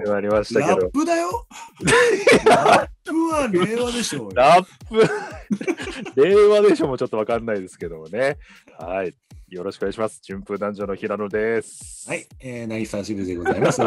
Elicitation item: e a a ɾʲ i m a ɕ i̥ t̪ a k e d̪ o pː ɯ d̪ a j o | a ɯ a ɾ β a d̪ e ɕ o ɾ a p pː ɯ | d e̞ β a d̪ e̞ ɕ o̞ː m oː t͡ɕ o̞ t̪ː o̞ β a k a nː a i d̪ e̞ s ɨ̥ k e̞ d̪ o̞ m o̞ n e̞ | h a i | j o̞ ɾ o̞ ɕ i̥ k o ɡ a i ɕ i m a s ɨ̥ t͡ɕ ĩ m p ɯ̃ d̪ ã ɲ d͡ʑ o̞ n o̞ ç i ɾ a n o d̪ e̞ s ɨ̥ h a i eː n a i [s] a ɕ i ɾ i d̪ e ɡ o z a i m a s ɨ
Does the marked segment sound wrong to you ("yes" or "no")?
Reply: no